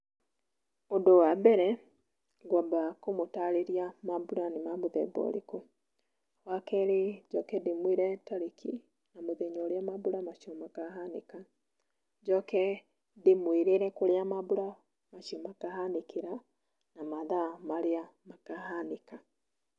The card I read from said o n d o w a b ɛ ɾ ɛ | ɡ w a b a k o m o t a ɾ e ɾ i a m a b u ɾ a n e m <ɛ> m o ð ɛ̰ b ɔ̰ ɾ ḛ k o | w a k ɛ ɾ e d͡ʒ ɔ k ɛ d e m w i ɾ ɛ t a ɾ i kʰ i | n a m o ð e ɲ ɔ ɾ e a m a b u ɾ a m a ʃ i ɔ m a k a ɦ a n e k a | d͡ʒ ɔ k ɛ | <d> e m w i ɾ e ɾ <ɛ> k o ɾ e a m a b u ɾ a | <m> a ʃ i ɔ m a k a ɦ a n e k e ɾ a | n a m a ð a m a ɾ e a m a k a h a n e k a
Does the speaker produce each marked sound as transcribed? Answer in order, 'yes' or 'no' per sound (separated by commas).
no, yes, yes, yes